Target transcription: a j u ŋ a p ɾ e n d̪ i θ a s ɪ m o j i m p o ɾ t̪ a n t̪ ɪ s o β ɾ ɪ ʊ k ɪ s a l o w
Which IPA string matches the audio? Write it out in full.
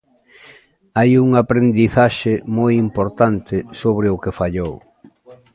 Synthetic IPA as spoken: a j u ŋ a p ɾ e n d̪ i θ a ʃ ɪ m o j i m p o ɾ t̪ a n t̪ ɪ s o β ɾ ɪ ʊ k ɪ f a ʎ o w